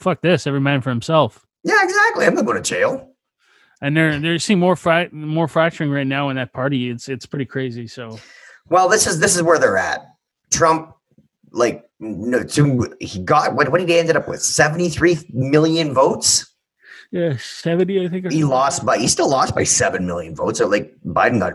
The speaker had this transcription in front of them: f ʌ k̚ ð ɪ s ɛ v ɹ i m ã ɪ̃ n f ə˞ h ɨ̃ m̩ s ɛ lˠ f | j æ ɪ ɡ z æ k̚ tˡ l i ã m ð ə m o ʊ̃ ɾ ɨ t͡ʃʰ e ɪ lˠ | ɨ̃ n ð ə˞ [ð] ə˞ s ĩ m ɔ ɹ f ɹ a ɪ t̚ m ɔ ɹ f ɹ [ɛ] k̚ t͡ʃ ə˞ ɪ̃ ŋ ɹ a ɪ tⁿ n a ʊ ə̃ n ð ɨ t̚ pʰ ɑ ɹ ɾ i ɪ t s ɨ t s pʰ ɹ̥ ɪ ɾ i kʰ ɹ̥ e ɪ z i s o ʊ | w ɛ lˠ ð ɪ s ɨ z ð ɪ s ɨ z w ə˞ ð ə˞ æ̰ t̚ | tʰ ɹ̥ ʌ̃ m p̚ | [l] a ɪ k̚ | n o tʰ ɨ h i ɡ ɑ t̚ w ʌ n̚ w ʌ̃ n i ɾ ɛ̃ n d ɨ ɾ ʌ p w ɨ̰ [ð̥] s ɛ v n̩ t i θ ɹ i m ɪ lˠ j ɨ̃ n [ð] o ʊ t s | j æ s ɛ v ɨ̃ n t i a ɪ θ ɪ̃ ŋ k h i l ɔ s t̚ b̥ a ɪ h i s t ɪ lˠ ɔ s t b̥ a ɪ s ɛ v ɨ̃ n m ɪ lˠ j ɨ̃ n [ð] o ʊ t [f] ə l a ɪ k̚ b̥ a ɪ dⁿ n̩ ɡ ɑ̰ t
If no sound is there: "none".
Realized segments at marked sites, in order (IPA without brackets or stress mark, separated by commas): ð, æ, l, ð̥, v, v, s